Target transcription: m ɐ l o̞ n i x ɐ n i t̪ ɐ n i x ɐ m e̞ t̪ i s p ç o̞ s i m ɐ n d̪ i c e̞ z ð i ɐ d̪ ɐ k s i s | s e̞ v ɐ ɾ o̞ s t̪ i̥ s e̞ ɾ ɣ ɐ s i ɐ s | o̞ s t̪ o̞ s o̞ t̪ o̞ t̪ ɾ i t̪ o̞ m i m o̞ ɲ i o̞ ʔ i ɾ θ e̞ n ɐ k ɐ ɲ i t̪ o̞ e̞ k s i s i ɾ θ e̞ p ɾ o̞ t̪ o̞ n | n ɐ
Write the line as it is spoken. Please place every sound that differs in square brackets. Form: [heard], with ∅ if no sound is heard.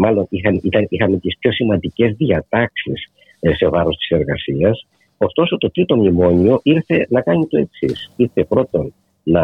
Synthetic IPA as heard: m ɐ l o̞ n i x ɐ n i t̪ ɐ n i x ɐ m e̞ t̪ i s p ç o̞ s i m ɐ n d̪ i c e̞ z ð i ɐ [t̪] ɐ k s i s | s e̞ v ɐ ɾ o̞ s t̪ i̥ s e̞ ɾ ɣ ɐ s i ɐ s | o̞ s t̪ o̞ s o̞ t̪ o̞ t̪ ɾ i t̪ o̞ m i m o̞ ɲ i o̞ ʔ i ɾ θ e̞ n ɐ k ɐ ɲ i t̪ o̞ e̞ k s i s i ɾ θ e̞ p ɾ o̞ t̪ o̞ n | n ɐ